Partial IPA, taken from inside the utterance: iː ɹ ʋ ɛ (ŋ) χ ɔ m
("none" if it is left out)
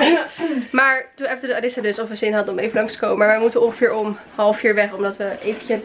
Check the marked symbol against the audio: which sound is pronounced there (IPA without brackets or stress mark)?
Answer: none